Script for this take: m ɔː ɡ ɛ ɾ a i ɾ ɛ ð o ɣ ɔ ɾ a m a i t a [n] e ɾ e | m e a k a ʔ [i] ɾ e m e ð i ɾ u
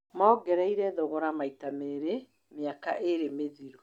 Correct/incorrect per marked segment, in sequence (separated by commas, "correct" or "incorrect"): incorrect, incorrect